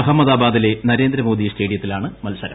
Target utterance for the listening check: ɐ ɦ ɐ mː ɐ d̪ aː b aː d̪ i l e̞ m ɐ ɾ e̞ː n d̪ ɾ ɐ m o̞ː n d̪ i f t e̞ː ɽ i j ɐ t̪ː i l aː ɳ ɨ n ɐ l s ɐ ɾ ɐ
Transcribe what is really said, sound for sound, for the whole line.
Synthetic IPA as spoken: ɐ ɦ ɐ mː ɐ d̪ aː b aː d̪ i l e̞ n ɐ ɾ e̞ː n d̪ ɾ ɐ m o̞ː d̪ i s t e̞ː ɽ i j ɐ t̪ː i l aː ɳ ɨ m ɐ l s ɐ ɾ ɐ